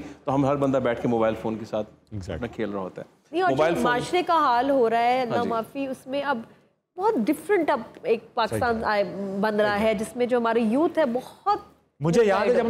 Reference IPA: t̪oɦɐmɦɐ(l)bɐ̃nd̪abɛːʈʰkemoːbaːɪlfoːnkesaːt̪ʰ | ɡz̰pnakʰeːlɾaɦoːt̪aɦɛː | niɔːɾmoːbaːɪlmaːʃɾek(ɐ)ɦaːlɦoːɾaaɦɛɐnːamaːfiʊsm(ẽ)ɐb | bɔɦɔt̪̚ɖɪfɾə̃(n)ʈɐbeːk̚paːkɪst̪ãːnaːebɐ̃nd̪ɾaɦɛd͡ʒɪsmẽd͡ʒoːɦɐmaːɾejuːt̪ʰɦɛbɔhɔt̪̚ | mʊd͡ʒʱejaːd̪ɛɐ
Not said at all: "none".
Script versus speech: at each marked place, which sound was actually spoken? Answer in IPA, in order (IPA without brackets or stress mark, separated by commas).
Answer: ɾ, a, ẽ, ɳ